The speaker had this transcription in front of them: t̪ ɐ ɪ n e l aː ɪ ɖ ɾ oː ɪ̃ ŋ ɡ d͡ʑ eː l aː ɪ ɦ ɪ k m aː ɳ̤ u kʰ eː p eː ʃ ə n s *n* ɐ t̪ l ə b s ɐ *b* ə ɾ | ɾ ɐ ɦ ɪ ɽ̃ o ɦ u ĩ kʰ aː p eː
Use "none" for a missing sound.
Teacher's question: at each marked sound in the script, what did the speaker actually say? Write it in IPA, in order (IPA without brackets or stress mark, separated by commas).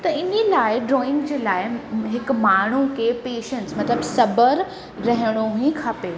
m, b